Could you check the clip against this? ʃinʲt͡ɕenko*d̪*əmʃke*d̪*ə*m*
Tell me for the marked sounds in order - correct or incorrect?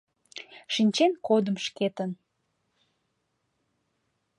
correct, incorrect, incorrect

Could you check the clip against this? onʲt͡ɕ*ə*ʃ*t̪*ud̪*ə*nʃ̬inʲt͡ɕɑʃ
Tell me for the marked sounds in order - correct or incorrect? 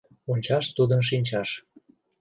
incorrect, correct, correct

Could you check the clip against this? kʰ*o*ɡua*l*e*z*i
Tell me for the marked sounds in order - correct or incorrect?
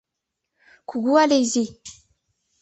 incorrect, correct, correct

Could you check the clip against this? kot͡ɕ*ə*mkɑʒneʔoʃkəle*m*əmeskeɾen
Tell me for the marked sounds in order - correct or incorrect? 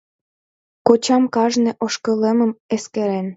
incorrect, correct

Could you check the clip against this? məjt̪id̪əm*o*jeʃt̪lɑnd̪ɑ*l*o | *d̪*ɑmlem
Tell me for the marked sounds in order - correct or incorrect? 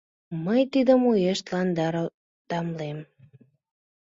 incorrect, incorrect, incorrect

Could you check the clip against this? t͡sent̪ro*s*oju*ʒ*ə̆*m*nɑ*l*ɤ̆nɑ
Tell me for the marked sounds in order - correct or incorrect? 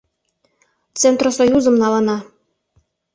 correct, incorrect, correct, correct

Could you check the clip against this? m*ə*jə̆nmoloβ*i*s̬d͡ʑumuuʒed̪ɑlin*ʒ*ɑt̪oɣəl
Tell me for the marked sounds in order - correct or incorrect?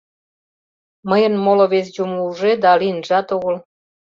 correct, incorrect, correct

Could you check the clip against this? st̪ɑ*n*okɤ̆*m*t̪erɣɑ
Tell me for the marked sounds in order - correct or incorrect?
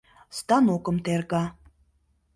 correct, correct

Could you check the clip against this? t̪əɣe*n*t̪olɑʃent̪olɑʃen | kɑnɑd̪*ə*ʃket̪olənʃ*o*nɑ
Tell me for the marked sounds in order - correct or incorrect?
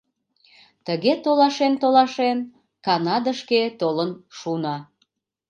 incorrect, correct, incorrect

